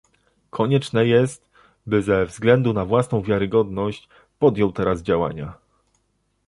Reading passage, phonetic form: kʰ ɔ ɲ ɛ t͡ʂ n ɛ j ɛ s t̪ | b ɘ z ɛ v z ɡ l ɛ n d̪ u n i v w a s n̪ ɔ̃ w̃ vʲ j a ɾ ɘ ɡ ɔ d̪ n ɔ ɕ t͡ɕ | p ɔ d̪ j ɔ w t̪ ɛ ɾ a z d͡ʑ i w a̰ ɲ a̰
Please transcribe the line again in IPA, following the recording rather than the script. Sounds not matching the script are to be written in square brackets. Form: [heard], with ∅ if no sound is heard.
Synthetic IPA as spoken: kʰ ɔ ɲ ɛ t͡ʂ n ɛ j ɛ s t̪ | b ɘ z ɛ v z ɡ l ɛ n d̪ u n [a] v w a s n̪ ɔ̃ w̃ vʲ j a ɾ ɘ ɡ ɔ d̪ n ɔ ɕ t͡ɕ | p ɔ d̪ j ɔ w t̪ ɛ ɾ a z d͡ʑ [a] w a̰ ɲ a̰

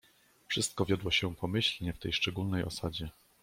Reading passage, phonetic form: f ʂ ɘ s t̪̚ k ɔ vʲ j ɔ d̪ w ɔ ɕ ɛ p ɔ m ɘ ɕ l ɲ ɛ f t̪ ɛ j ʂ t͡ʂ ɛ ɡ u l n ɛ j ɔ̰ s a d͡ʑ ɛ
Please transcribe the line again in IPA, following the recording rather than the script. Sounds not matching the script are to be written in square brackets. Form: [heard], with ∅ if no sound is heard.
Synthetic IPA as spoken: f ʂ ɘ s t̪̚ k ɔ vʲ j ɔ d̪ w ɔ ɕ ɛ p ɔ m ɘ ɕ l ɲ ɛ f t̪ ɛ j ʂ t͡ʂ ɛ ɡ u l n ɛ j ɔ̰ s a d͡ʑ ɛ

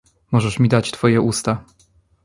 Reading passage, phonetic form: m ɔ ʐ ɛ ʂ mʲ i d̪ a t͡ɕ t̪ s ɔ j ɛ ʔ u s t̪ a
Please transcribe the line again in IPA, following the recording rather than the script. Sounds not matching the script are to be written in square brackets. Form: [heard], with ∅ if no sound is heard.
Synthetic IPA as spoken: m ɔ ʐ ɛ ʂ mʲ i d̪ a t͡ɕ t̪ [f] ɔ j ɛ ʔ u s t̪ a

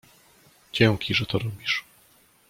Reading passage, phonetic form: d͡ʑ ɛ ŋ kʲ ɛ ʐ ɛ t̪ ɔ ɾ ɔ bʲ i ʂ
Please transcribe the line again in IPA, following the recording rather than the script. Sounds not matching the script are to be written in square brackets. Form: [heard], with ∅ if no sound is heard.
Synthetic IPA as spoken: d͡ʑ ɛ ŋ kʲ [i] ʐ ɛ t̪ ɔ ɾ ɔ bʲ i ʂ

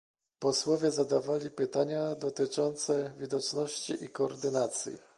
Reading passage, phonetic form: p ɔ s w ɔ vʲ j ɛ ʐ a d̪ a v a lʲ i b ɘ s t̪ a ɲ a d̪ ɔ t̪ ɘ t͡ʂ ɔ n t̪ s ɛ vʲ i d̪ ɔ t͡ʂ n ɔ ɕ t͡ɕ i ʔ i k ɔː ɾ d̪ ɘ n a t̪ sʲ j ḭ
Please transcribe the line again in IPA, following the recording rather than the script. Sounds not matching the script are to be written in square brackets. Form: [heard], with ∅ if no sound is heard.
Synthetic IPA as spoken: p ɔ s w ɔ vʲ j ɛ [z] a d̪ a v a lʲ i [p] ɘ [∅] t̪ a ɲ a d̪ ɔ t̪ ɘ t͡ʂ ɔ n t̪ s ɛ vʲ i d̪ ɔ t͡ʂ n ɔ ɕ t͡ɕ i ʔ i k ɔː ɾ d̪ ɘ n a t̪ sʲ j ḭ

